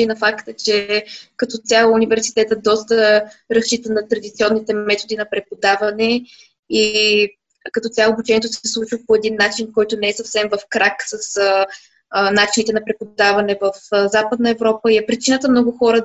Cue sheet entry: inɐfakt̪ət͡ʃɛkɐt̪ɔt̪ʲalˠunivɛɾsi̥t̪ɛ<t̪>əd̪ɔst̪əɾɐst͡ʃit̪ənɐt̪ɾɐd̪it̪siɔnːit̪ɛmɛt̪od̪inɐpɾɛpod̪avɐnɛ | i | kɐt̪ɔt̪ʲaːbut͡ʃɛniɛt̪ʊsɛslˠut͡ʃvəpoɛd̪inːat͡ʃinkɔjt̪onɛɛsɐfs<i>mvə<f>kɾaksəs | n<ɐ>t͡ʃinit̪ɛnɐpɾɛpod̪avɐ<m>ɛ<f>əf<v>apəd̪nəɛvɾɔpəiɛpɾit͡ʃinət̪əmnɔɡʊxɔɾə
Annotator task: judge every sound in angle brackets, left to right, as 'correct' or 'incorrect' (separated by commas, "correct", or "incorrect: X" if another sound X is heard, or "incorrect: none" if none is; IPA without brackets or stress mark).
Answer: correct, incorrect: ɛ, correct, incorrect: a, incorrect: n, incorrect: v, incorrect: z